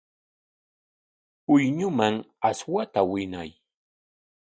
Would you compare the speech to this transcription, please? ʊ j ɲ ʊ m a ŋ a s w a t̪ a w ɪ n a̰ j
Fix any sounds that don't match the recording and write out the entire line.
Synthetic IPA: ʊ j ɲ ʊ m a ŋ a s w a t̪ a w ɪ n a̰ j

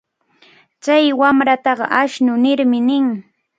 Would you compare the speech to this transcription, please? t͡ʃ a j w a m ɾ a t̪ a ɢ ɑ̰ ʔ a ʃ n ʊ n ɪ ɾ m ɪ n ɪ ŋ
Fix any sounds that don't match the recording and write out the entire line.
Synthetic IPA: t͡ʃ a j w a m ɾ a t̪ ɑ ɢ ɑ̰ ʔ a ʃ n ʊ n ɪ ɾ m ɪ n ɪ ŋ

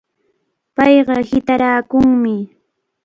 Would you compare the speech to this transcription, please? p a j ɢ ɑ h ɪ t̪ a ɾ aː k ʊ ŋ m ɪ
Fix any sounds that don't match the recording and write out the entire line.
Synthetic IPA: p ɑ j ɢ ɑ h ɪ t̪ a ɾ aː k ʊ ŋ m ɪ

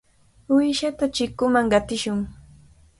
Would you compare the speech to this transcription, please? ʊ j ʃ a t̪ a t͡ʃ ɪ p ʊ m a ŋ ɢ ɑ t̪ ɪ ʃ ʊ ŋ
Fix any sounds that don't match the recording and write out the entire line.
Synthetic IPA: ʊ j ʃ a t̪ a t͡ʃ ɪ k ʊ m a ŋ ɢ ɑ t̪ ɪ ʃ ʊ ŋ

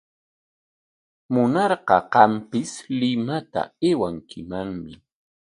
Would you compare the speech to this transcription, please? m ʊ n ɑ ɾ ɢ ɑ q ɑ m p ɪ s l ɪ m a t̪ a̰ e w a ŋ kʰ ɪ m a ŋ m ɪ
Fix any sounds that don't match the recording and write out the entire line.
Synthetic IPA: m ʊ n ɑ ɾ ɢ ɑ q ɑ m p ɪ s l ɪ m a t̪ a̰ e w a ŋ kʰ ɪ m a ŋ m ɪ

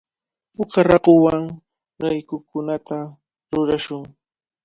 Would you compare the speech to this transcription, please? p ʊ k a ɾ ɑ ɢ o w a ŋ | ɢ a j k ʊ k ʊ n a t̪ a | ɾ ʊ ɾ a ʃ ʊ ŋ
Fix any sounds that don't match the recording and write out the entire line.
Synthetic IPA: p ʊ k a ɾ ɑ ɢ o w a ŋ | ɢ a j k ʊ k ʊ n a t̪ a | ɾ ʊ ɾ a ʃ ʊ ŋ

